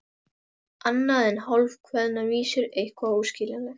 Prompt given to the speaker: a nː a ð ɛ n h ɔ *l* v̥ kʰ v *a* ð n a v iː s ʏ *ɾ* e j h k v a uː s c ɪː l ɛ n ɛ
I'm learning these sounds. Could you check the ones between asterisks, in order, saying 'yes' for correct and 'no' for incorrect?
yes, no, yes

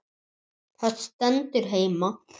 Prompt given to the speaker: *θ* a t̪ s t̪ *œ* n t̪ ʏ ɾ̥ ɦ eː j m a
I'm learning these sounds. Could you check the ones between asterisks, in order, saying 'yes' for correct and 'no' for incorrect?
yes, no

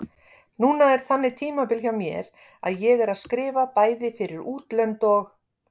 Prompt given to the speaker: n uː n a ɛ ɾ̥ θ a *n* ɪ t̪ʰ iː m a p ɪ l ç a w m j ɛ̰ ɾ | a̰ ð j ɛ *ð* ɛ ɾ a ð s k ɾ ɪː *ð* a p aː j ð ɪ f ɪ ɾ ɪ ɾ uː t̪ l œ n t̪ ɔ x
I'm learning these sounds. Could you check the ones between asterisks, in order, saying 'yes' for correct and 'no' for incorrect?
no, no, no

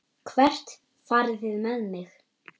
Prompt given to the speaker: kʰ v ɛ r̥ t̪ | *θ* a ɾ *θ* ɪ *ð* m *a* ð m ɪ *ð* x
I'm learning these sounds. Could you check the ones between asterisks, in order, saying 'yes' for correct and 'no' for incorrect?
no, yes, yes, no, no

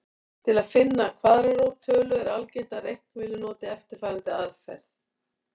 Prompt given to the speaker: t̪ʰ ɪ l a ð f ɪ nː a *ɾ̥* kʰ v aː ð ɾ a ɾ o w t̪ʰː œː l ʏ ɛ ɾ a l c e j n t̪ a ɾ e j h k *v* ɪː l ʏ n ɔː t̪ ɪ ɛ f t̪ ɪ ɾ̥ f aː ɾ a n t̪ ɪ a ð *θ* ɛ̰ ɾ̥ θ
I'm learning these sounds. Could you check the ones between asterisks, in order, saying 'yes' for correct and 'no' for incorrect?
no, yes, no

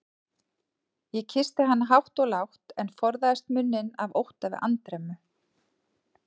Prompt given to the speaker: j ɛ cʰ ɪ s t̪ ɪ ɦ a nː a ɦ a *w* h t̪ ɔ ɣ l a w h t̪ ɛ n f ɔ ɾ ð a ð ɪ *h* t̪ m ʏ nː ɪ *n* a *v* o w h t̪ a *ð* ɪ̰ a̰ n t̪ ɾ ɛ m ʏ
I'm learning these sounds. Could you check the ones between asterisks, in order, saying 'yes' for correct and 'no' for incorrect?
yes, no, yes, yes, no

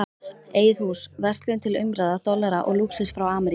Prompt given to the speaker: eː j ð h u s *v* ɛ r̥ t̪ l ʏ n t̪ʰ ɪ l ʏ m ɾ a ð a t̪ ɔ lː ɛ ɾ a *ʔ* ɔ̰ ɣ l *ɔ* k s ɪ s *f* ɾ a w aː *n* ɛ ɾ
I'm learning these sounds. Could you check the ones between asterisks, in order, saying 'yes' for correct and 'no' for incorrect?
yes, yes, no, yes, no

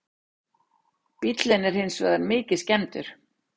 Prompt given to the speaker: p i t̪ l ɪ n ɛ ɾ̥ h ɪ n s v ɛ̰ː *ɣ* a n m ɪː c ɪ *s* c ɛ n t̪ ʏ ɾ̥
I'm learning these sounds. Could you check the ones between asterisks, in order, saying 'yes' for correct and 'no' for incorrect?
no, yes

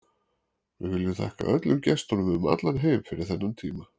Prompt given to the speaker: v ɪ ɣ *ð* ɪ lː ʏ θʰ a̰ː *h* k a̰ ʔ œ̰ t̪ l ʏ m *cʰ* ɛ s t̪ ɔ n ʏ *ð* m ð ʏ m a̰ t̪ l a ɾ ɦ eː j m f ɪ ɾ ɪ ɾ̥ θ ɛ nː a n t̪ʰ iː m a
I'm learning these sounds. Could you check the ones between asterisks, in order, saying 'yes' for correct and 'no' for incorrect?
no, yes, no, no

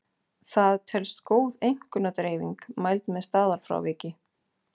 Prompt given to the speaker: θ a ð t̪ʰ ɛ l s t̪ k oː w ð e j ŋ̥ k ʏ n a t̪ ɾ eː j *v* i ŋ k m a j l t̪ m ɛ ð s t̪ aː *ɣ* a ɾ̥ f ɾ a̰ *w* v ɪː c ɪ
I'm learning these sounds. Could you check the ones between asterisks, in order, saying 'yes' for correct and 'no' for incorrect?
yes, no, yes

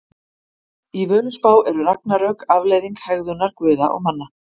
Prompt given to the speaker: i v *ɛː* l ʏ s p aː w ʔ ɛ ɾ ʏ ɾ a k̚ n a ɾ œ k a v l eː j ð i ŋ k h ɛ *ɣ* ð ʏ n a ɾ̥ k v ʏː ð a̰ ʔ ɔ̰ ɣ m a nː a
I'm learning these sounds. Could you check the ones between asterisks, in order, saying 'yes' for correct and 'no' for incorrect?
no, yes

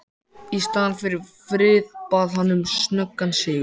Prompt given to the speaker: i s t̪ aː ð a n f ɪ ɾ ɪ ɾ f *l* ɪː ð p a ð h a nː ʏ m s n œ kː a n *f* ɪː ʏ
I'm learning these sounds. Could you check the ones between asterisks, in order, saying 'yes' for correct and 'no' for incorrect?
no, no

